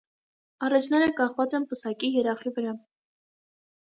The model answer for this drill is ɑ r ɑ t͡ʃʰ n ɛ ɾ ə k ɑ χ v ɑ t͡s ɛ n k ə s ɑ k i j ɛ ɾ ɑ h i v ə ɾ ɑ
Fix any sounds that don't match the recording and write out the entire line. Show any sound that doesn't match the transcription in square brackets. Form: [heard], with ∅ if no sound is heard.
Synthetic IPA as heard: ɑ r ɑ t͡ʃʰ n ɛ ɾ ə k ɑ χ v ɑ t͡s ɛ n [p] ə s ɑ k i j ɛ ɾ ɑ [χ] i v ə ɾ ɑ